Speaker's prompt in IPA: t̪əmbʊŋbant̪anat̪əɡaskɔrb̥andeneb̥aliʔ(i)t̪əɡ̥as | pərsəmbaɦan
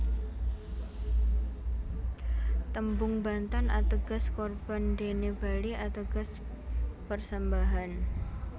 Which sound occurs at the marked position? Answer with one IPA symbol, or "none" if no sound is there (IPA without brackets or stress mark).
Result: a